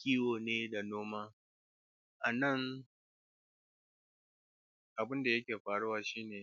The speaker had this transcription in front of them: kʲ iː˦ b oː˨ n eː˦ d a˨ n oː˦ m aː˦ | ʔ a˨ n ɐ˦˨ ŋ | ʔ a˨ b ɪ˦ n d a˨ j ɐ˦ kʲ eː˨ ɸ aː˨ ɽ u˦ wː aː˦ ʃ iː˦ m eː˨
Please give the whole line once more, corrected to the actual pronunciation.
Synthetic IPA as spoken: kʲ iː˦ w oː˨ n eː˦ d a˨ n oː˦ m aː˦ | ʔ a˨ n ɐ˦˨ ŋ | ʔ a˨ b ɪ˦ n d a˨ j ɐ˦ kʲ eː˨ ɸ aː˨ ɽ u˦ w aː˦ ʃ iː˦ n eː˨